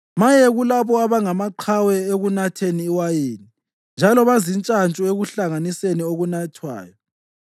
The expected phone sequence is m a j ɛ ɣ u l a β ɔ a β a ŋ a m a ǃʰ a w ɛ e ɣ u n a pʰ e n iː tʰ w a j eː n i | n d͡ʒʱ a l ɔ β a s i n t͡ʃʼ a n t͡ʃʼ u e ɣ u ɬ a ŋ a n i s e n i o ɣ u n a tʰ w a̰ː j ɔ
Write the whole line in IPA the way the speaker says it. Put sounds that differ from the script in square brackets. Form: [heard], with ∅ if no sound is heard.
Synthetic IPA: m a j ɛ ɣ u l a β ɔ a β a ŋ a m a ǃʰ a w ɛ e ɣ u n a [tʰ] e n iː [∅] w a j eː n i | n d͡ʒʱ a l ɔ β a [z] i n t͡ʃʼ a n t͡ʃʼ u e ɣ u ɬ a ŋ a n i s e n i o ɣ u n a tʰ w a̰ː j ɔ